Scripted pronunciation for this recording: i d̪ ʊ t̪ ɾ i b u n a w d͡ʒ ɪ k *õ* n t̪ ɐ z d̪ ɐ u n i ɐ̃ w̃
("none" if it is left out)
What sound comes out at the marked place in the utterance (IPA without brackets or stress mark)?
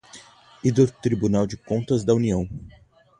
õ